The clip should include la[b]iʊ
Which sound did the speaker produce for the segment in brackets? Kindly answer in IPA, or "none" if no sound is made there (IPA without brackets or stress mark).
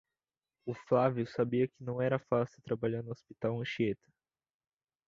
v